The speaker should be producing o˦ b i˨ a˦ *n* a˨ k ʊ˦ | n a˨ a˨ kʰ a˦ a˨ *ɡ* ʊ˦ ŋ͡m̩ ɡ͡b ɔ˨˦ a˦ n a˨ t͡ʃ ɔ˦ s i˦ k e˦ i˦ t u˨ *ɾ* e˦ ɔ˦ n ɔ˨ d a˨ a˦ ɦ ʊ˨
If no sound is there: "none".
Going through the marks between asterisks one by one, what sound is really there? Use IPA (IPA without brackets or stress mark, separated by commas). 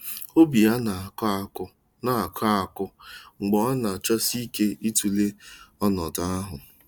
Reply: n, k, l